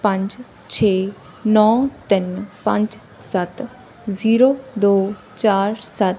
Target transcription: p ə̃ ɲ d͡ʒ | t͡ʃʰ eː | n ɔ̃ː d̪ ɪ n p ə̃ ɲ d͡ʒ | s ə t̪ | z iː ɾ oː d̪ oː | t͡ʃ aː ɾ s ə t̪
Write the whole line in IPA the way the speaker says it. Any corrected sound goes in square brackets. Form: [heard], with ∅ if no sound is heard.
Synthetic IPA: p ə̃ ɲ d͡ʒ | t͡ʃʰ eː | n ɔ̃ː [t̪] ɪ n p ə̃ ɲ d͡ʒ | s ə t̪ | z iː ɾ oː d̪ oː | t͡ʃ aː ɾ s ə t̪